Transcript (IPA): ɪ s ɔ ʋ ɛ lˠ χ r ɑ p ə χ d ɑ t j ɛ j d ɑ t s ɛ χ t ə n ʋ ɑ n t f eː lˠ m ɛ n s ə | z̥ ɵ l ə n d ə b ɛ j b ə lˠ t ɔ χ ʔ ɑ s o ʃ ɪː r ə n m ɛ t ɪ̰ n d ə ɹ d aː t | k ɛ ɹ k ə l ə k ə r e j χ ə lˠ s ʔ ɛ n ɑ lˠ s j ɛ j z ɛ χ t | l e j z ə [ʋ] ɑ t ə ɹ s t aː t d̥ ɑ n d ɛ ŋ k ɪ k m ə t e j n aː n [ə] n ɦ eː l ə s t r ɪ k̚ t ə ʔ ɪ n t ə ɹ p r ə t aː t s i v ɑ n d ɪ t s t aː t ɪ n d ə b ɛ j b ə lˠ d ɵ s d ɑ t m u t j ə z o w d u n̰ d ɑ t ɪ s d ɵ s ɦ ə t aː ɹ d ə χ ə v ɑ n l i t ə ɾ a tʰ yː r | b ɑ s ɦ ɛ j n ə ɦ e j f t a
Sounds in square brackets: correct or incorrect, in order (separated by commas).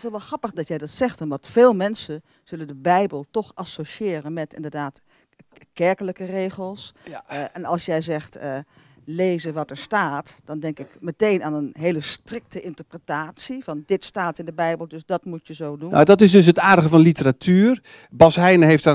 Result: correct, correct